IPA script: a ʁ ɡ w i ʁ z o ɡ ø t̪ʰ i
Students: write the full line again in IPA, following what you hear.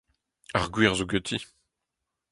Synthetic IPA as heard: a ʁ ɡ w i ʁ z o ɡ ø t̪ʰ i